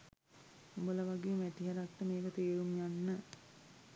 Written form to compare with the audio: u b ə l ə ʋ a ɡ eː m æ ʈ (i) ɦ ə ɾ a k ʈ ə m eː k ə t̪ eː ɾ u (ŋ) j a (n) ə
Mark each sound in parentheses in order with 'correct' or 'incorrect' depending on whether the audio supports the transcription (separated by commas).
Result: correct, incorrect, incorrect